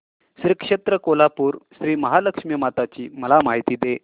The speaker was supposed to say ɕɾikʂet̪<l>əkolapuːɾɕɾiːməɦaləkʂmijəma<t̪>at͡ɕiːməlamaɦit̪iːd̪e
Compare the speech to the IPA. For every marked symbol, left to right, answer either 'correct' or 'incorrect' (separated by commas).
incorrect, correct